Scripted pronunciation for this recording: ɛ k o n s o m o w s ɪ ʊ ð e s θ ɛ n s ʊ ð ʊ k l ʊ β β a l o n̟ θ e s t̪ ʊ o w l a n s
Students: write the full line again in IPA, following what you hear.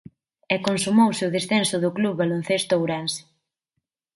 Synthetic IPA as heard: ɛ k o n s u m o w s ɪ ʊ ð e s θ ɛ n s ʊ ð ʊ k l u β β a l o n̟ θ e s t̪ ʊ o w ɾ a n s